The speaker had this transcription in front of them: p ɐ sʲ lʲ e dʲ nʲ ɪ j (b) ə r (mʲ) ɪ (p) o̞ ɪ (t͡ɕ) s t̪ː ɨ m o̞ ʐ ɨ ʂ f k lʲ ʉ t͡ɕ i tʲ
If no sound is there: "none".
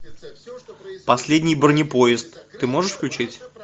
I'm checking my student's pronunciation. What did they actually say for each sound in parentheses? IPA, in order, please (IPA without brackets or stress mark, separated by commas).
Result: b, nʲ, p, none